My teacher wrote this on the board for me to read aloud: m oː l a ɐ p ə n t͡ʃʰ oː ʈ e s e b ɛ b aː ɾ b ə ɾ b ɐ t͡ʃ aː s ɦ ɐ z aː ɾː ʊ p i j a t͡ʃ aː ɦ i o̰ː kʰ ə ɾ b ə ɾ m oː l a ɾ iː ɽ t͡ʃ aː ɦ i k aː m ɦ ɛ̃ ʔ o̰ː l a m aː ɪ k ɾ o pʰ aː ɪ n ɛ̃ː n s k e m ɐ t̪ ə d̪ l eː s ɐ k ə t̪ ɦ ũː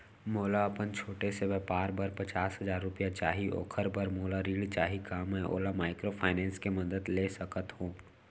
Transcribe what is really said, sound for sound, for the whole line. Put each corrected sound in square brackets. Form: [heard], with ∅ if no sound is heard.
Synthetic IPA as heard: m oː l a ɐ p ə n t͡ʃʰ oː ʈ e s e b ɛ [p] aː ɾ b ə ɾ [p] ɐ t͡ʃ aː s ɦ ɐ z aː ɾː ʊ p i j a t͡ʃ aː ɦ i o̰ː kʰ ə ɾ b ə ɾ m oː l a ɾ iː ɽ t͡ʃ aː ɦ i k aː m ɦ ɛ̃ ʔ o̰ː l a m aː ɪ k ɾ o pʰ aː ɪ n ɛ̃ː n s k e m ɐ [d̪] ə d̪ l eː s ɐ k ə t̪ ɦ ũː